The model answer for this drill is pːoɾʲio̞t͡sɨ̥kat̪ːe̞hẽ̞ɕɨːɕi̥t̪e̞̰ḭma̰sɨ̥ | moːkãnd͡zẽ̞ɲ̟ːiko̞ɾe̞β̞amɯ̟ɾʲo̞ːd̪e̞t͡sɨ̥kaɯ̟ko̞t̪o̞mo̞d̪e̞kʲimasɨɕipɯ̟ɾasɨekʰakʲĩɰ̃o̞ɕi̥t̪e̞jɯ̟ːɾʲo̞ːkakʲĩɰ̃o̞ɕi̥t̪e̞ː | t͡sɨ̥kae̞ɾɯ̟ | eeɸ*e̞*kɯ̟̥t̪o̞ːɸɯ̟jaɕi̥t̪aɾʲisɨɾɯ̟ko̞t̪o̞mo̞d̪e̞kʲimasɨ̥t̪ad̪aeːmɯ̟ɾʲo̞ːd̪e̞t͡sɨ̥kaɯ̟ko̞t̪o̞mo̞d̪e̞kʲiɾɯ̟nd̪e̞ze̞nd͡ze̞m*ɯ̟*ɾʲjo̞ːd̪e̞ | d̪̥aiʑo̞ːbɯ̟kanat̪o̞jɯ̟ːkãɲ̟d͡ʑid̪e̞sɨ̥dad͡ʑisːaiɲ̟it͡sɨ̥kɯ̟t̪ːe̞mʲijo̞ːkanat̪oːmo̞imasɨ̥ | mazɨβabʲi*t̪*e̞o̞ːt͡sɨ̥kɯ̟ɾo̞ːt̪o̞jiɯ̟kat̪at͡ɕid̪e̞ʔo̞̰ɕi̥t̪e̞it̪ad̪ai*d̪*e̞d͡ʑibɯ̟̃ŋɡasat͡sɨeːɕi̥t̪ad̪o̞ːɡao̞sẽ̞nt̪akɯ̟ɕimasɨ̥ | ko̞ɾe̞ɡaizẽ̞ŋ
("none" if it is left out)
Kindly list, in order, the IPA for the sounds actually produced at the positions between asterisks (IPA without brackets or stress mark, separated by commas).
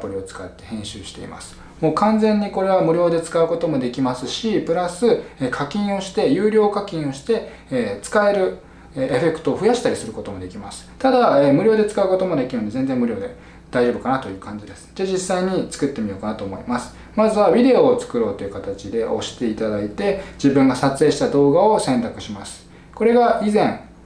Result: e̞, ɯ̟, d̪, t̪